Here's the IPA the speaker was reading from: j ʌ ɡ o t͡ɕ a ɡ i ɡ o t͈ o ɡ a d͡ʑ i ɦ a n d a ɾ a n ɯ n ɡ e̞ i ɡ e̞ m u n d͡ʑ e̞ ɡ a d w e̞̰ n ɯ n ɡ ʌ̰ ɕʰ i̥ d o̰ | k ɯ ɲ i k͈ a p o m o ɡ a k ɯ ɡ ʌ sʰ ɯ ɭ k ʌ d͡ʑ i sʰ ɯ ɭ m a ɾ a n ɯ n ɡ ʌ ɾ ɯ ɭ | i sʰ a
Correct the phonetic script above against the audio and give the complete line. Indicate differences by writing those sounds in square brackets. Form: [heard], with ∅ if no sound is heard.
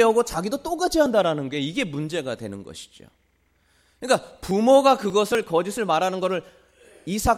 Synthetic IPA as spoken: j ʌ ɡ o t͡ɕ a ɡ i [d] o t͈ o ɡ a d͡ʑ i ɦ a n d a ɾ a n ɯ n ɡ e̞ i ɡ e̞ m u n d͡ʑ e̞ ɡ a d w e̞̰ n ɯ n ɡ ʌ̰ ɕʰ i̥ [d͡ʑ] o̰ | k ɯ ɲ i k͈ a p [u] m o ɡ a k ɯ ɡ ʌ sʰ ɯ ɭ k ʌ d͡ʑ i sʰ ɯ ɭ m a ɾ a n ɯ n ɡ ʌ ɾ ɯ ɭ | i sʰ a